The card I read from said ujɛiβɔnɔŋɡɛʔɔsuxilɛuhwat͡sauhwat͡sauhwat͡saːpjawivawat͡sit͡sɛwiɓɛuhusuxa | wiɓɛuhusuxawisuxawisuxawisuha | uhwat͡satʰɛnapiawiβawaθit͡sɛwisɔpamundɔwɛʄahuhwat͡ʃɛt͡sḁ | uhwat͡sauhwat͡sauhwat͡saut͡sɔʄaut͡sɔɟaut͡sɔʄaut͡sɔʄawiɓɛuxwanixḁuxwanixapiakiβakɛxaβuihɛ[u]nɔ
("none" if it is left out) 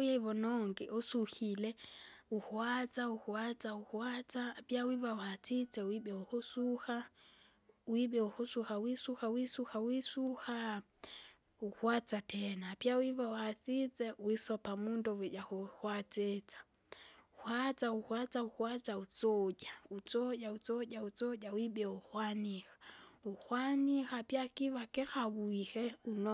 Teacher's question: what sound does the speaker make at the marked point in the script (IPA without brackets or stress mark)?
u